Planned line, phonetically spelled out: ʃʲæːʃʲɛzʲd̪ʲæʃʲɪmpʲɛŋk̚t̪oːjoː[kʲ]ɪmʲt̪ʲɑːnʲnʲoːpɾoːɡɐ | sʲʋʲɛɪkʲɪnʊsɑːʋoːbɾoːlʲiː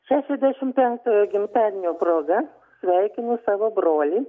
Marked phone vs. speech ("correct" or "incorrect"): incorrect